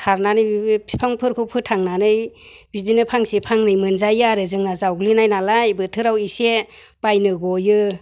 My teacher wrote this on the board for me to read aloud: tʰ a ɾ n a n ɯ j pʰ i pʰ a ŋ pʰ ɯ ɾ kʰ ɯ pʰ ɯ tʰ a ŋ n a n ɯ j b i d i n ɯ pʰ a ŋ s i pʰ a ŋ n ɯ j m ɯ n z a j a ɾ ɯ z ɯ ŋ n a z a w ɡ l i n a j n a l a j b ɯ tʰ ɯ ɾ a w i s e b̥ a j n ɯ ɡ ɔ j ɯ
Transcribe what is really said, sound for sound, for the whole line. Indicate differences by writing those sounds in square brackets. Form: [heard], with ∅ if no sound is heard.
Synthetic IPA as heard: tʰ a ɾ n a n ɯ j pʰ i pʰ a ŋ pʰ ɯ ɾ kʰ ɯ pʰ ɯ tʰ a ŋ n a n ɯ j b i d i n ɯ pʰ a ŋ s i pʰ a ŋ n ɯ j m ɯ n z a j a ɾ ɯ z ɯ ŋ n a z a w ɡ l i n a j n a l a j b ɯ tʰ ɯ ɾ a w i s e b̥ a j n ɯ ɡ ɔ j ɯ